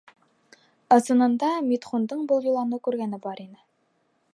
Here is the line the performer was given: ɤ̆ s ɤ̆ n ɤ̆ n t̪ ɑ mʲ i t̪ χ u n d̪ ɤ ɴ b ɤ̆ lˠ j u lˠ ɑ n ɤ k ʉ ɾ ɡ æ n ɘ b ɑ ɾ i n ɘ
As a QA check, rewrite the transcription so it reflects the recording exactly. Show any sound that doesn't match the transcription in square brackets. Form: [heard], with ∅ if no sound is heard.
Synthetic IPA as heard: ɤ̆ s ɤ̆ n ɤ̆ n [d̪] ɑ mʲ i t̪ χ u n d̪ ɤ ɴ b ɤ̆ lˠ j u lˠ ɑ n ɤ k ʉ ɾ ɡ æ n ɘ b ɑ ɾ i n ɘ